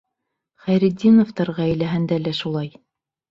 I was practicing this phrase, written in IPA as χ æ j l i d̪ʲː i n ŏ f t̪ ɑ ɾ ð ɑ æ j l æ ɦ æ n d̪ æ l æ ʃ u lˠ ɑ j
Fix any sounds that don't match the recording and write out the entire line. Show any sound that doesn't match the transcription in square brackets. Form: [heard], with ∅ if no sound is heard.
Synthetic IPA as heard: χ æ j [ɾ] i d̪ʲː i n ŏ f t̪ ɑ ɾ [ʁ] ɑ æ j l æ ɦ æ n d̪ æ l æ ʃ u lˠ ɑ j